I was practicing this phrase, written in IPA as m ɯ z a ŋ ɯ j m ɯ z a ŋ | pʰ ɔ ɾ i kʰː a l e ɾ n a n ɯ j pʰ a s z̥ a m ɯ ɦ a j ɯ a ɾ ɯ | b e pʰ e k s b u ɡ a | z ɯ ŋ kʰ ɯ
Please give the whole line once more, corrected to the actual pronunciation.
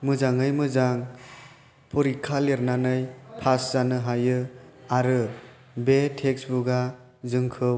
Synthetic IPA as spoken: m ɯ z a ŋ ɯ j m ɯ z a ŋ | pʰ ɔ ɾ i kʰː a l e ɾ n a n ɯ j pʰ a s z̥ a n ɯ ɦ a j ɯ a ɾ ɯ | b e tʰ e k s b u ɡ a | z ɯ ŋ kʰ ɯ